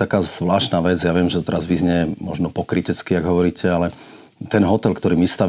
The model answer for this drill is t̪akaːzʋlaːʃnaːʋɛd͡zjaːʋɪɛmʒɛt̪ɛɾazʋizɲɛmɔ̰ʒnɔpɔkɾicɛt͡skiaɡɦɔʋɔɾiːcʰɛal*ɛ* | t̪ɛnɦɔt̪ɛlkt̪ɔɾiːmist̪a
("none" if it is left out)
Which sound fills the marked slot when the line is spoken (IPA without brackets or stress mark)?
ɛ